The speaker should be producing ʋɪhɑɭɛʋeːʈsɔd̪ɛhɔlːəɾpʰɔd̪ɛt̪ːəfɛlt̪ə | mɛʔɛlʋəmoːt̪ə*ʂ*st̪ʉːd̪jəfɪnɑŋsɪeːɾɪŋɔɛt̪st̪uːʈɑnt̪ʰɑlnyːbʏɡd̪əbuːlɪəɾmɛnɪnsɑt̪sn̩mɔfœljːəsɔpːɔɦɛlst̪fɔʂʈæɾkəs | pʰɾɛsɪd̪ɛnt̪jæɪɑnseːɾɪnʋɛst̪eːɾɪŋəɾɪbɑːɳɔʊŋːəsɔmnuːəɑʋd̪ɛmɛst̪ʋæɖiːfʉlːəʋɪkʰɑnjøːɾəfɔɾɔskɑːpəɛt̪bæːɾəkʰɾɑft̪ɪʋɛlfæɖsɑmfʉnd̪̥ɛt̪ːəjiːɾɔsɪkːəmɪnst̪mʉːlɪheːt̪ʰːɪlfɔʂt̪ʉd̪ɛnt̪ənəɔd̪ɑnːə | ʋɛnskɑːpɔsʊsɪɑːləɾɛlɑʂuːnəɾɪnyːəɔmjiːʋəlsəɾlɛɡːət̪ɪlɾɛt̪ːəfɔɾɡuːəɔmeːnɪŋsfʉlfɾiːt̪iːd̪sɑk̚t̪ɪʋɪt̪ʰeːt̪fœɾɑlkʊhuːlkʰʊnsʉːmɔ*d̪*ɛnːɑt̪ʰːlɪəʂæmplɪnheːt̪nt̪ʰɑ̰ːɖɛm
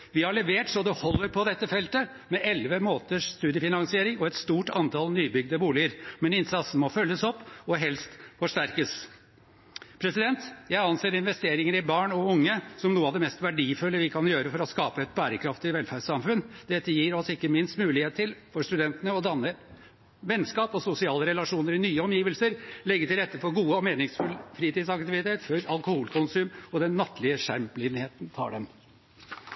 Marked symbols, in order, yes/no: yes, yes

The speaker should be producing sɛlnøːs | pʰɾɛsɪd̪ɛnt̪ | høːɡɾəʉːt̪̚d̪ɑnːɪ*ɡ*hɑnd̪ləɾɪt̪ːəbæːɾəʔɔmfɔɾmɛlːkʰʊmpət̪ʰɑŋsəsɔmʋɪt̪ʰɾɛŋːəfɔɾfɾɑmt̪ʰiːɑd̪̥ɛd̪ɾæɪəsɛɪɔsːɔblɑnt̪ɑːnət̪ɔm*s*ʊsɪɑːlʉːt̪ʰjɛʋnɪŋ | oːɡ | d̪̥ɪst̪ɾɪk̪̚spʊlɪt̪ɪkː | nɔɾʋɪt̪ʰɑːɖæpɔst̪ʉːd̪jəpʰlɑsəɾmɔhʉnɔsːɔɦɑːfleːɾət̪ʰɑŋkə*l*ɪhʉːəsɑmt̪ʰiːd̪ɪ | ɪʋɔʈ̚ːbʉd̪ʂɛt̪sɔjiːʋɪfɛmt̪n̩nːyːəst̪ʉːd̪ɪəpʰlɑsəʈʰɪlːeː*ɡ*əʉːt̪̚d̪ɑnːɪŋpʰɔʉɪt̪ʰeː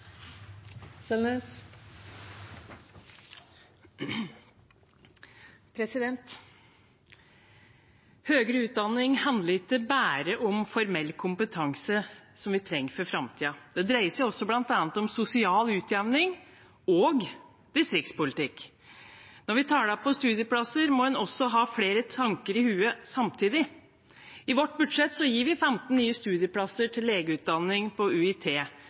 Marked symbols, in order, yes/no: no, yes, no, yes

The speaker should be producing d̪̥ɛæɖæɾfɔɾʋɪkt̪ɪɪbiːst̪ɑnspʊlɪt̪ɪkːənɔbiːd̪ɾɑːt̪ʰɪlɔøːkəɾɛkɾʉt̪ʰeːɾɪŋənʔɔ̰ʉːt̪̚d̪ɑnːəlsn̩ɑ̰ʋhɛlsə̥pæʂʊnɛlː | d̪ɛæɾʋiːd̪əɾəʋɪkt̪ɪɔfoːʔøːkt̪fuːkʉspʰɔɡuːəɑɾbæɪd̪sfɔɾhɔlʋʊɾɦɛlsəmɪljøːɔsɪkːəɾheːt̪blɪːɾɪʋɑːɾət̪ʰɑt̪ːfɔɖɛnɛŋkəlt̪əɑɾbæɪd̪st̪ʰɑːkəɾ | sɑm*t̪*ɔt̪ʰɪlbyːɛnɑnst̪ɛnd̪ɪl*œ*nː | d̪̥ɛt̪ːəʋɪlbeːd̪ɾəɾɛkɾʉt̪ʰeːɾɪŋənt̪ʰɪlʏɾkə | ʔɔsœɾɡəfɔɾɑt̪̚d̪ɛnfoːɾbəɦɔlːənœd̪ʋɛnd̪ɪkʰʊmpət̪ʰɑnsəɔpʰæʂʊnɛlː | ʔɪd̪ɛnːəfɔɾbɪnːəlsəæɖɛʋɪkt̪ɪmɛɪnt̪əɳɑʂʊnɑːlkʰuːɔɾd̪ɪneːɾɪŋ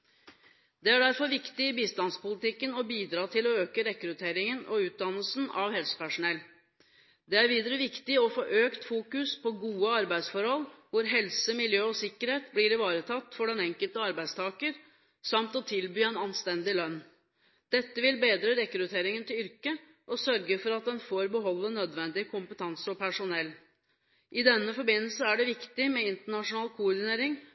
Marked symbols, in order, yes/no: yes, yes

